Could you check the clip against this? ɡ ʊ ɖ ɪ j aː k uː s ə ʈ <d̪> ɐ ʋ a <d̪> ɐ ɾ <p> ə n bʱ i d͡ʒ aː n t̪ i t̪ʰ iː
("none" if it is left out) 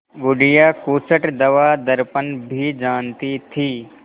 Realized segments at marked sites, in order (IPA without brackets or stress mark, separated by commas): d̪, d̪, p